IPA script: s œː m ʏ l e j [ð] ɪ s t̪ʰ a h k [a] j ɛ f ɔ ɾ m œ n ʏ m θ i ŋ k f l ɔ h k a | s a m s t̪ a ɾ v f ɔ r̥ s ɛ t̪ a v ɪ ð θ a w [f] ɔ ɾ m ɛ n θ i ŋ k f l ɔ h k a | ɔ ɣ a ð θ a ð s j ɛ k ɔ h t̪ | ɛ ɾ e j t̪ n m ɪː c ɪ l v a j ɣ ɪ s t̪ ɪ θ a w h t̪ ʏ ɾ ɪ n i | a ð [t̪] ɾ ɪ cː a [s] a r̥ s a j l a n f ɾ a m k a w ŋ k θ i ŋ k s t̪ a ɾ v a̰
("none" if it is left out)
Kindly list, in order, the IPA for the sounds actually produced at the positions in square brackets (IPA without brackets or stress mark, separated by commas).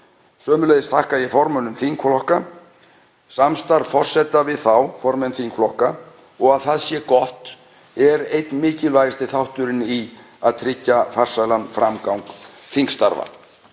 ð, a, f, t̪ʰ, f